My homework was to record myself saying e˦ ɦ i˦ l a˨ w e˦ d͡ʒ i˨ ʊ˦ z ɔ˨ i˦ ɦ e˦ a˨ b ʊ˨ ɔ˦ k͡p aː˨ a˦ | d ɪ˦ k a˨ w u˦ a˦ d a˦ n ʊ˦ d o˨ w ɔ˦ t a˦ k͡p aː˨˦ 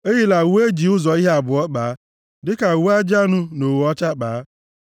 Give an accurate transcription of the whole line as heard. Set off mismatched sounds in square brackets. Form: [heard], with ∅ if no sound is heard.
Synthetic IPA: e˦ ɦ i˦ l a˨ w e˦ d͡ʒ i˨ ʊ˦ z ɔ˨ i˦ ɦ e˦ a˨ b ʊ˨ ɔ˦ k͡p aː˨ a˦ | d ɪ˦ k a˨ w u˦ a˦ [d͡ʒ] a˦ n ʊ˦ [n] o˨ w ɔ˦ [t͡ʃ] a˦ k͡p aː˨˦

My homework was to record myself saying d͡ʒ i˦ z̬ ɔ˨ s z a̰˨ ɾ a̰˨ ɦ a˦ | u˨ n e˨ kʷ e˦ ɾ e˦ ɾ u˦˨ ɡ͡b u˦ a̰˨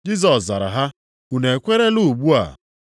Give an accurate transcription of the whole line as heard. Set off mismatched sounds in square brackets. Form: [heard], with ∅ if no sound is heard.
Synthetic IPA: d͡ʒ i˦ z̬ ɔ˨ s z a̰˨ ɾ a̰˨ ɦ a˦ | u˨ n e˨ kʷ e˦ ɾ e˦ [l] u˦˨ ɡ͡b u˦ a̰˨

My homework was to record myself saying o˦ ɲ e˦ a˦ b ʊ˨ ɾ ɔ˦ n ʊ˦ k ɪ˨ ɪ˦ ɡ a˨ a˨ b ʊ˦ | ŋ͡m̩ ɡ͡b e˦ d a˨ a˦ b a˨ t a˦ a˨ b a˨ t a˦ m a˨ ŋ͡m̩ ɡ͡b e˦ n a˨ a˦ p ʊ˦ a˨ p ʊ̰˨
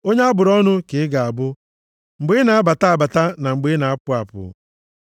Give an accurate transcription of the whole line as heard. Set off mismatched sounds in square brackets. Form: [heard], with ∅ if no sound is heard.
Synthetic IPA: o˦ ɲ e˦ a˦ b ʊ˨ ɾ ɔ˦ n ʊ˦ k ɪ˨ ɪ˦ ɡ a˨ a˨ b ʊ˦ | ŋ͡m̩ ɡ͡b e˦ [n] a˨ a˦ b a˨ t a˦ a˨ b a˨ t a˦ [n] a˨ ŋ͡m̩ ɡ͡b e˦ n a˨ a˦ p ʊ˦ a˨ p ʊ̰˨

